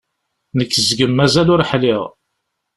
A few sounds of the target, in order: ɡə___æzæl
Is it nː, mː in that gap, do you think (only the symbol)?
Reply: mː